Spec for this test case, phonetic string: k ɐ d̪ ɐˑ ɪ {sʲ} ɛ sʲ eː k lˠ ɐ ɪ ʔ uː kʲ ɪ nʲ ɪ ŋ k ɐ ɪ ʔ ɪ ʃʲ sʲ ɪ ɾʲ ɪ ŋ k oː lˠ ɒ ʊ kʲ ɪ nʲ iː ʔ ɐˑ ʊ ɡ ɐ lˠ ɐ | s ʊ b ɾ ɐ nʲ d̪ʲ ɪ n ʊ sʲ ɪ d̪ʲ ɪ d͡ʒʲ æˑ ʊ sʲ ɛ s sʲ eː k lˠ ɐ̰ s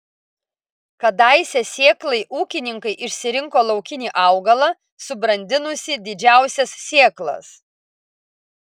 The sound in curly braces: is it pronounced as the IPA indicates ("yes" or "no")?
yes